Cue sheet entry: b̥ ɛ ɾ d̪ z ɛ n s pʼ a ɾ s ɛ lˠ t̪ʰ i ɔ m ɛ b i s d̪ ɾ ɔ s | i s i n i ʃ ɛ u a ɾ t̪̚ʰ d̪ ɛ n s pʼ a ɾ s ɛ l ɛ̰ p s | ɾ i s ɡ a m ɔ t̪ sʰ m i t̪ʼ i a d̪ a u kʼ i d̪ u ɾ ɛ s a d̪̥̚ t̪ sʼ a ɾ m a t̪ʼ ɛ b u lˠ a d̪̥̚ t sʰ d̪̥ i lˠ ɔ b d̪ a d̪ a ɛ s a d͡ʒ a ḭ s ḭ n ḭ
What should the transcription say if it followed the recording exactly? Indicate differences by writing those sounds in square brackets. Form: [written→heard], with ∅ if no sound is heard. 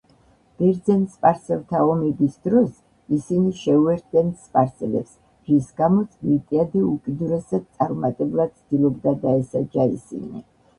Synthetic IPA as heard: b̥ ɛ ɾ d̪ z ɛ n s pʼ a ɾ s ɛ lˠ t̪ʰ [i→a] ɔ m ɛ b i s d̪ ɾ ɔ s | i s i n i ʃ ɛ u [a→ɛ] ɾ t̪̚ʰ d̪ ɛ n s pʼ a ɾ s ɛ l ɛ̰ p s | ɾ i s ɡ a m ɔ t̪ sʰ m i t̪ʼ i a d̪ [a→ɛ] u kʼ i d̪ u ɾ ɛ s a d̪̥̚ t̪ sʼ a ɾ m a t̪ʼ ɛ b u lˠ a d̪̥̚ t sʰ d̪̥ i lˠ ɔ b d̪ a d̪ a ɛ s a d͡ʒ a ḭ s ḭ n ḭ

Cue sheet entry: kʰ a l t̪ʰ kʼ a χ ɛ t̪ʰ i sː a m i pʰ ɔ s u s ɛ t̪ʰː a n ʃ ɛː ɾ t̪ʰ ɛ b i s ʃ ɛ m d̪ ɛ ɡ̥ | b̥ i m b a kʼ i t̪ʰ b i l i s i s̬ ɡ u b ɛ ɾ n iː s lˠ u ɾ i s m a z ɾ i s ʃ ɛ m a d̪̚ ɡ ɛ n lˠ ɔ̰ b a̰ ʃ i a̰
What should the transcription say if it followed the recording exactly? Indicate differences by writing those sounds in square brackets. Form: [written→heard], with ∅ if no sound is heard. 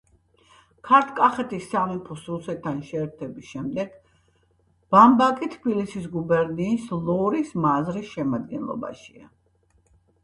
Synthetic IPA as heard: kʰ a [l→ɾ] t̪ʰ kʼ a χ ɛ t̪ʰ i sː a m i pʰ ɔ s u s ɛ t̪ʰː a n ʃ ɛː ɾ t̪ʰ ɛ b i s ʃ ɛ m d̪ ɛ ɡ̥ | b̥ [i→a] m b a kʼ i t̪ʰ b i l i s i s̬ ɡ u b ɛ ɾ n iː s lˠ [u→ɔ] ɾ i s m a z ɾ i s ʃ ɛ m a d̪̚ ɡ ɛ n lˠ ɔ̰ b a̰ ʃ i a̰

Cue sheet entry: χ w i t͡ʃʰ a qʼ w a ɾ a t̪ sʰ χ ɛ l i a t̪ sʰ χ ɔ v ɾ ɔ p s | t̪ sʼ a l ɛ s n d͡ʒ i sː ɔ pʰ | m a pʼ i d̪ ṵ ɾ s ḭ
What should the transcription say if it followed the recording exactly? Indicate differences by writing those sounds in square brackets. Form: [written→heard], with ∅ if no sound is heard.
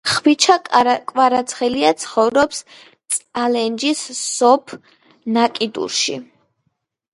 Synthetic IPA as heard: χ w i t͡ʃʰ a [qʼ→kʼ] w a ɾ a t̪ sʰ χ ɛ l i a t̪ sʰ χ ɔ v ɾ ɔ p s | t̪ sʼ a l ɛ [s→∅] n d͡ʒ i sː ɔ pʰ | [m→n] a [pʼ→kʼ] i d̪ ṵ ɾ [s→ʃ] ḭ

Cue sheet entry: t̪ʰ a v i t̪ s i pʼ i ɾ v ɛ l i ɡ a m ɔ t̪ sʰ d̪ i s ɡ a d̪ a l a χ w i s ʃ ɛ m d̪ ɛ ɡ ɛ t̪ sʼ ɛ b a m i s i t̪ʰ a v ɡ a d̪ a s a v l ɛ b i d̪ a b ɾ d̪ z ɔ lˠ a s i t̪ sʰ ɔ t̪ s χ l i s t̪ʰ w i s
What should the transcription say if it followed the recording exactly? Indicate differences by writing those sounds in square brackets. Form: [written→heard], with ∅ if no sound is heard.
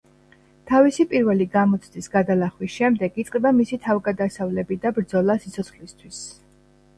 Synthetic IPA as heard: t̪ʰ a v i [t̪→∅] s i pʼ i ɾ v ɛ l i ɡ a m ɔ t̪ sʰ d̪ i s ɡ a d̪ a l a χ w i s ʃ ɛ m d̪ ɛ ɡ [ɛ→i] t̪ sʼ ɛ b a m i s i t̪ʰ a v ɡ a d̪ a s a v l ɛ b i d̪ a b ɾ d̪ z ɔ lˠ a s i t̪ sʰ ɔ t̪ s χ l i s t̪ʰ w i s

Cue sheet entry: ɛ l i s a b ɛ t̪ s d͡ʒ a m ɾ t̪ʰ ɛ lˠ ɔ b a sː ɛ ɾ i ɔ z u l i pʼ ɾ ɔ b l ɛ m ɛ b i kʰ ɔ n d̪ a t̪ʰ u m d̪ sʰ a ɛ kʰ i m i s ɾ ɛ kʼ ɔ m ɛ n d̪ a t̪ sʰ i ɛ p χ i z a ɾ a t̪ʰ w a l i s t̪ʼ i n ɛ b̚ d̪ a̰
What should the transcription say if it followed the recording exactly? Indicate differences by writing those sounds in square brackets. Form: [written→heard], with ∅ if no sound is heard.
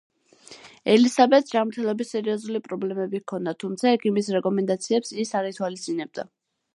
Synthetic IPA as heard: ɛ l i s a b ɛ t̪ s d͡ʒ a m ɾ t̪ʰ ɛ lˠ ɔ b [a→i] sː ɛ ɾ i ɔ z u l i pʼ ɾ ɔ b l ɛ m ɛ b i kʰ ɔ n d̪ a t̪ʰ u m [d̪→t̪] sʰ a ɛ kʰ i m i s ɾ ɛ kʼ ɔ m ɛ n d̪ a t̪ sʰ i ɛ p [χ→s] i [z→s] a ɾ [a→i] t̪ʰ w a l i s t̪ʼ i n ɛ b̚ d̪ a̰

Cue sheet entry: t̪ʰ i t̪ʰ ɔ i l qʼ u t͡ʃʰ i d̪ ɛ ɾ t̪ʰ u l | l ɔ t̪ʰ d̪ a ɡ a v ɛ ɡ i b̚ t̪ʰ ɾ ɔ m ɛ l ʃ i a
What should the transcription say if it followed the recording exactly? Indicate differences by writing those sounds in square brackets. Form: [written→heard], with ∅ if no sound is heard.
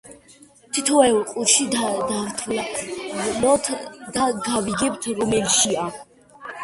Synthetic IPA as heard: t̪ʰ i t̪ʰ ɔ [i→ɛ] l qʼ u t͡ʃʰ i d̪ [ɛ→a] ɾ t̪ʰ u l | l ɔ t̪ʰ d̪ a ɡ a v [ɛ→i] ɡ [i→ɛ] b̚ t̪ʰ ɾ ɔ m ɛ l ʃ i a

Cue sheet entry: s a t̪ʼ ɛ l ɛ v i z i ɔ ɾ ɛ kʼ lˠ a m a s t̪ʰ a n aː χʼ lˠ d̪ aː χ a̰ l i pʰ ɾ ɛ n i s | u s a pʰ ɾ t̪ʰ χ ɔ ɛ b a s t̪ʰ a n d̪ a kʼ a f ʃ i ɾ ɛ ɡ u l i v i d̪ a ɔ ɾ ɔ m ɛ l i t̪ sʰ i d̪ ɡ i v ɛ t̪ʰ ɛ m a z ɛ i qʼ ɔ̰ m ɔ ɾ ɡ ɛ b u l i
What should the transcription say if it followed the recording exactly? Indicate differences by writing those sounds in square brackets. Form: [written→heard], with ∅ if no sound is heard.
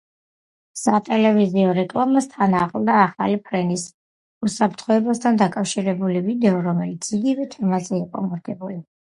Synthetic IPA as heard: s a t̪ʼ ɛ l ɛ v i z i ɔ ɾ ɛ kʼ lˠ a m a s t̪ʰ a n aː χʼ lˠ d̪ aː χ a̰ l i pʰ ɾ ɛ n i s | u s a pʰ ɾ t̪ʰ χ ɔ ɛ b a s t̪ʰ a n d̪ a kʼ a f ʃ i ɾ ɛ [ɡ→b] u l i v i d̪ [a→ɛ] ɔ ɾ ɔ m ɛ l i t̪ sʰ i [d̪→∅] ɡ i v ɛ t̪ʰ ɛ m a z ɛ i qʼ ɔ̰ m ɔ ɾ ɡ ɛ b u l i

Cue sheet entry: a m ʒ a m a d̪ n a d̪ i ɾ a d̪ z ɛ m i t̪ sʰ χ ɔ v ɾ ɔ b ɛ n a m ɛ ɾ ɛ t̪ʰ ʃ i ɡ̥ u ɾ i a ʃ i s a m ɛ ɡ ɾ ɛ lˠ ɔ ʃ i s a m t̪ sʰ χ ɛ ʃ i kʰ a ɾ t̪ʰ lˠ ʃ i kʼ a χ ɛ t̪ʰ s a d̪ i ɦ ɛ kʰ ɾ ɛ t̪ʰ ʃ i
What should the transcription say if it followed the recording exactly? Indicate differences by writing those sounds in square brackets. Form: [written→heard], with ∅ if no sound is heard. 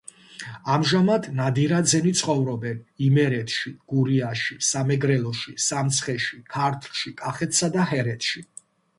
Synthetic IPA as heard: a m ʒ a m a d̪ n a d̪ i ɾ a d̪ z ɛ [m→n] i t̪ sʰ χ ɔ v ɾ ɔ b ɛ n [a→i] m ɛ ɾ ɛ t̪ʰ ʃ i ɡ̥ u ɾ i a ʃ i s a m ɛ ɡ ɾ ɛ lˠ ɔ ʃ i s a m t̪ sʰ χ ɛ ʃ i kʰ a ɾ t̪ʰ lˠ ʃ i kʼ a χ ɛ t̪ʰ s a d̪ [i→a] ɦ ɛ [kʰ→∅] ɾ ɛ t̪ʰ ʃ i

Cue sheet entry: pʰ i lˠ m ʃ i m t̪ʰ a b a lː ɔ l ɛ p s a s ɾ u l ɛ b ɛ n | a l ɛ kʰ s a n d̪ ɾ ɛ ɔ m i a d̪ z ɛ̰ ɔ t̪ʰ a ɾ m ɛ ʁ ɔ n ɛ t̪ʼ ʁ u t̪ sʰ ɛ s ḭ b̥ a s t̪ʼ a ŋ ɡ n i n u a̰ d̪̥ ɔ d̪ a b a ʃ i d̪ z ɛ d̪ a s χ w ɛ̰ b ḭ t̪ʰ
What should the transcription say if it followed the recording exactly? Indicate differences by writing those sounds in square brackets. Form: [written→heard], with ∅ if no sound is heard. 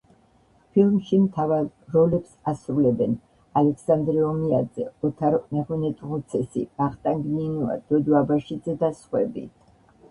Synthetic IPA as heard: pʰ i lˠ m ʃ i m t̪ʰ a [b→v] a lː ɔ l ɛ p s a s ɾ u l ɛ b ɛ n | a l ɛ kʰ s a n d̪ ɾ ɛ ɔ m i a d̪ z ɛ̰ ɔ t̪ʰ a ɾ m ɛ ʁ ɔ n ɛ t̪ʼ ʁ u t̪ sʰ ɛ s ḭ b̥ a [s→χ] t̪ʼ a ŋ ɡ n i n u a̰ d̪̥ ɔ d̪ a b a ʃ i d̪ z ɛ d̪ a s χ w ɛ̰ b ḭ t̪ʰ

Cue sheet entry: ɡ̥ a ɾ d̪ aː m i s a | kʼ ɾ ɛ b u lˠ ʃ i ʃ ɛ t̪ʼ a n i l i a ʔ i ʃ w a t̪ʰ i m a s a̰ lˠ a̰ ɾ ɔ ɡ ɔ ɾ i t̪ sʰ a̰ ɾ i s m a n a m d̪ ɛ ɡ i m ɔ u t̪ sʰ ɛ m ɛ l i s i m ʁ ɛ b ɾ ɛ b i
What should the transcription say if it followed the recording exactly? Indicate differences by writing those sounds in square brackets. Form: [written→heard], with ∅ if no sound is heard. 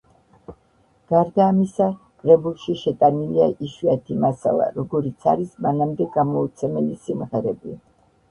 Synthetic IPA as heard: ɡ̥ a ɾ d̪ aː m i s a | kʼ ɾ ɛ b u lˠ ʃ i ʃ ɛ t̪ʼ a n i l i a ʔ i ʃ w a t̪ʰ i m a s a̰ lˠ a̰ ɾ ɔ ɡ ɔ ɾ i t̪ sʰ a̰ ɾ i s m a n a m d̪ ɛ ɡ [i→a] m ɔ u t̪ sʰ ɛ m ɛ l i s i m ʁ ɛ [b→∅] ɾ ɛ b i

